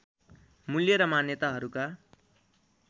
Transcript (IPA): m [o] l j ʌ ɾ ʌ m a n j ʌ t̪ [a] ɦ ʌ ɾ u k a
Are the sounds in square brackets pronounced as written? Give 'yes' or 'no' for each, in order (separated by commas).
no, yes